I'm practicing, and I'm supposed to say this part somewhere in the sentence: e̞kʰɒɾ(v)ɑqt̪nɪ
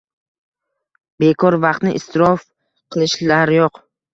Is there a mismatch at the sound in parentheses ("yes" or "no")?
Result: no